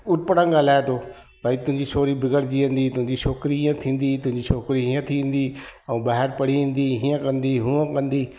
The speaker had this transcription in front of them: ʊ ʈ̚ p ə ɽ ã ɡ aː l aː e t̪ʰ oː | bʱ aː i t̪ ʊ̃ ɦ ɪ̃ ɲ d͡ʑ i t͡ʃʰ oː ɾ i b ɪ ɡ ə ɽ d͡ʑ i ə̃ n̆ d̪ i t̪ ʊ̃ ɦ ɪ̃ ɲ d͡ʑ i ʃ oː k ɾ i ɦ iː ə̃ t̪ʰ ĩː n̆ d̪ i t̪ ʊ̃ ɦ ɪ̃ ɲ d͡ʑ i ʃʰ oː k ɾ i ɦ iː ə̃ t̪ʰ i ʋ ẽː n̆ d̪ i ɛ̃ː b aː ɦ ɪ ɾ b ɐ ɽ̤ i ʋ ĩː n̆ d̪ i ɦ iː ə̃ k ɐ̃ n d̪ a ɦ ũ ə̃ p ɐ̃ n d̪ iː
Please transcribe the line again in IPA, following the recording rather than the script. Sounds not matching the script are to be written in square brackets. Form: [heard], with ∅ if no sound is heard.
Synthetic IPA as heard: ʊ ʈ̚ p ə ɽ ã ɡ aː l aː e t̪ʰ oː | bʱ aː i t̪ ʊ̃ ɦ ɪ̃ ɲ d͡ʑ i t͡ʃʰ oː ɾ i b ɪ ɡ ə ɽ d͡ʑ i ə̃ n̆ d̪ i t̪ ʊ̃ ɦ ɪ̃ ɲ d͡ʑ i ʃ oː k ɾ i ɦ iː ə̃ t̪ʰ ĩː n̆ d̪ i t̪ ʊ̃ ɦ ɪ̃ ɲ d͡ʑ i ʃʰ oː k ɾ i ɦ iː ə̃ t̪ʰ i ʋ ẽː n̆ d̪ i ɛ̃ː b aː ɦ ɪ ɾ [p] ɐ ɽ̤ i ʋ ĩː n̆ d̪ i ɦ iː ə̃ k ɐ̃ n d̪ [i] ɦ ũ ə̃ [k] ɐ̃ n d̪ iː

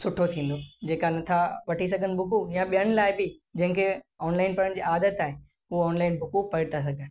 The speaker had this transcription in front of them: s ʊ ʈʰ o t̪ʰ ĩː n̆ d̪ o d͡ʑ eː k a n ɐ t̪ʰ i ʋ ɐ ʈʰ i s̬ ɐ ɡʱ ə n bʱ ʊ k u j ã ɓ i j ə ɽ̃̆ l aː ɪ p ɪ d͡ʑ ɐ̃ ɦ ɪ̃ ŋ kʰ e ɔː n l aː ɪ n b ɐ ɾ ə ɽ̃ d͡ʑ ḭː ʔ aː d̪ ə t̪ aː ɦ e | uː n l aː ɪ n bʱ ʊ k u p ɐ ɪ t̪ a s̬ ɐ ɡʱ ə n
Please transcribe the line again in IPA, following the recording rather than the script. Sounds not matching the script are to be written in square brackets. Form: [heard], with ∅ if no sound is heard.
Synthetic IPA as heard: s ʊ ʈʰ o t̪ʰ ĩː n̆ d̪ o d͡ʑ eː k a n ɐ t̪ʰ [a] ʋ ɐ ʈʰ i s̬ ɐ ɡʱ ə n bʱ ʊ k u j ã ɓ i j ə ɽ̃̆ l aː ɪ [b] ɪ d͡ʑ ɐ̃ ɦ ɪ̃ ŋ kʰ e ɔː n l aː ɪ n [p] ɐ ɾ ə ɽ̃ d͡ʑ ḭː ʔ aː d̪ ə t̪ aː ɦ e | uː n l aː ɪ n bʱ ʊ k u p ɐ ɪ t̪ a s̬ ɐ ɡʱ ə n

